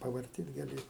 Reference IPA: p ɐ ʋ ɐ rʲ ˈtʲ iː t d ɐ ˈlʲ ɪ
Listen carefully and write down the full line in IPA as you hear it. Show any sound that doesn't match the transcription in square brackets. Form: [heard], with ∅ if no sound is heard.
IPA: p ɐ ʋ ɐ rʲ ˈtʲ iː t [ɡ] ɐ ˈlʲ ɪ